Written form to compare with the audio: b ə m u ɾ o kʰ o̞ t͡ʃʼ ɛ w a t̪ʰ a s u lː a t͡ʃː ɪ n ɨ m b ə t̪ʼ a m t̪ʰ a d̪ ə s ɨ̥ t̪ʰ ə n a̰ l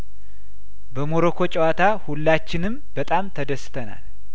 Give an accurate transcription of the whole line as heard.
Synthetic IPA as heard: b ə m o ɾ o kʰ o̞ t͡ʃʼ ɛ w a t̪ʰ a h u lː a t͡ʃː ɪ n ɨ m b ə t̪ʼ a m t̪ʰ ə d̪ ə s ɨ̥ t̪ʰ ə n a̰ l